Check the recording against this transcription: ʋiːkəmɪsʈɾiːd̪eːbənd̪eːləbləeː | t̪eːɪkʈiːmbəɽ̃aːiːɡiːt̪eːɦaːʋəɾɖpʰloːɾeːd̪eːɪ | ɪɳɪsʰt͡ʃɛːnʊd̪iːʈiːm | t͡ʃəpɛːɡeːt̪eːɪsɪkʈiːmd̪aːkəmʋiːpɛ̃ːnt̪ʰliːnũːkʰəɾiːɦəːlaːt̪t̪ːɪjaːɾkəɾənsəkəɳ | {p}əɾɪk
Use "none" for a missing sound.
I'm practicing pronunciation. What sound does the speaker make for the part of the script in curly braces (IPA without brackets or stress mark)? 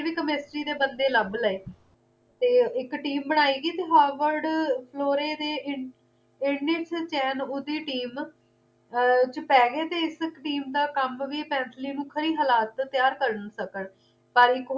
p